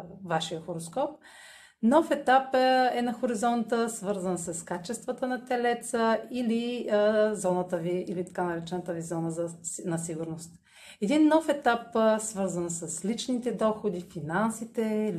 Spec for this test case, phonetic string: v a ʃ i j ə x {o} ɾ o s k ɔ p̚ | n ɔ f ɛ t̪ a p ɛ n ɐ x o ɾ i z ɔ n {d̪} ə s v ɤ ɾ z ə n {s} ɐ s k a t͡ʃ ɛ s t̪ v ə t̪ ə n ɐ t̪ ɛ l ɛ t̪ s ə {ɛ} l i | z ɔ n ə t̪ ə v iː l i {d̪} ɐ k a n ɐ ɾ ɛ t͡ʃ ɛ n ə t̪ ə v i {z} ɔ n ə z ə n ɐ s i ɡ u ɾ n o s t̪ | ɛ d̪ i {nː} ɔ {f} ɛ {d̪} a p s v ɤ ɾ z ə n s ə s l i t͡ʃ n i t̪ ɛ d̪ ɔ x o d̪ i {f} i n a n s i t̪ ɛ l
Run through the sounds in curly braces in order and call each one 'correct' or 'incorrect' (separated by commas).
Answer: correct, incorrect, correct, incorrect, incorrect, correct, correct, correct, incorrect, correct